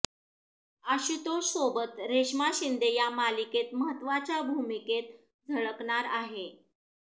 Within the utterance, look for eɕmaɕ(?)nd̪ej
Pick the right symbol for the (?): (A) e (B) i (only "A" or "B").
B